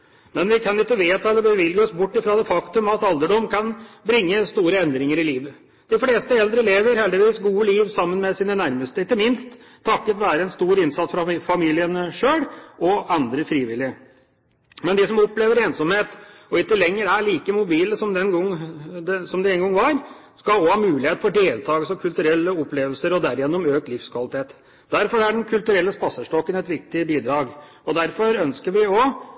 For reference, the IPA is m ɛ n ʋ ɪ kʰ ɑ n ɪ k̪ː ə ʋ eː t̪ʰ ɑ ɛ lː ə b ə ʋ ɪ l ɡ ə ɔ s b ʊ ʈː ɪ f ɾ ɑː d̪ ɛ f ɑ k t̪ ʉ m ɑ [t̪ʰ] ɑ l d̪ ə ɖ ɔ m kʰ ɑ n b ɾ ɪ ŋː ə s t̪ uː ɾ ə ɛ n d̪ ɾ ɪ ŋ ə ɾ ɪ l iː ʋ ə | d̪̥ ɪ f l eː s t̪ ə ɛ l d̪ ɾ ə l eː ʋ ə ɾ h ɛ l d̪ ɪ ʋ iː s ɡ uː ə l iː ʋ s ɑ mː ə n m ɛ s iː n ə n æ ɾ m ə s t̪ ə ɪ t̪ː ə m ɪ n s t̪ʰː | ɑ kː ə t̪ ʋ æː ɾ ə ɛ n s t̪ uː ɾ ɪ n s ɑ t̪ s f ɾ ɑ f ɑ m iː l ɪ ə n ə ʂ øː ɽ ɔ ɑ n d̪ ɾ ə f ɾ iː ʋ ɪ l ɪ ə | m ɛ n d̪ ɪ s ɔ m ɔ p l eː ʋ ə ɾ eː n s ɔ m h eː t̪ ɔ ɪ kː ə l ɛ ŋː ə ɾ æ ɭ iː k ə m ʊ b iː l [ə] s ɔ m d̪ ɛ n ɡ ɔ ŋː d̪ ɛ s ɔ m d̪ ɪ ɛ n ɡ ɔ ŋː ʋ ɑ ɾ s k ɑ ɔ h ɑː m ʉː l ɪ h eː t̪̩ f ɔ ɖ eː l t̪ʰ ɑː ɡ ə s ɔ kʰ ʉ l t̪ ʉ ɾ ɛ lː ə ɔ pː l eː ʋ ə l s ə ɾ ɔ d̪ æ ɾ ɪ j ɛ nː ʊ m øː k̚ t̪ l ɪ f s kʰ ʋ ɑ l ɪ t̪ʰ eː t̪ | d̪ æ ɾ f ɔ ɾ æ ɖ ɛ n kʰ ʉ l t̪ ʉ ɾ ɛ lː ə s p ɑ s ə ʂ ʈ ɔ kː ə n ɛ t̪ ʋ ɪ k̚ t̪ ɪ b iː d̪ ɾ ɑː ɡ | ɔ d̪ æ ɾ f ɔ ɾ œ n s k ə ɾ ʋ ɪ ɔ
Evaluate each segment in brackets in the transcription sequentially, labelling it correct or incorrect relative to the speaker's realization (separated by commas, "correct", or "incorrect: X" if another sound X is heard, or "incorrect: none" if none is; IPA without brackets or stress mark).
incorrect: t̪, correct